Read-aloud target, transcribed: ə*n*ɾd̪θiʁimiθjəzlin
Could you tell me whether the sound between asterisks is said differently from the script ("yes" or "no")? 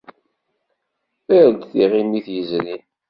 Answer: yes